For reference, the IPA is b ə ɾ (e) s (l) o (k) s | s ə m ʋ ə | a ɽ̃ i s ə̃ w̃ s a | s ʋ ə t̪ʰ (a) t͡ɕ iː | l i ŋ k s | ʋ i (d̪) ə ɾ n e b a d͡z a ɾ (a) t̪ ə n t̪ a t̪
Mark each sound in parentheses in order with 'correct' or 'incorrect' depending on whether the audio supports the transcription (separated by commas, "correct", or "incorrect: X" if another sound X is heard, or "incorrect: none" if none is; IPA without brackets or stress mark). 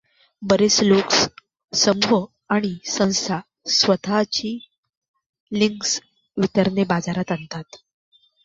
correct, correct, correct, correct, incorrect: t̪, correct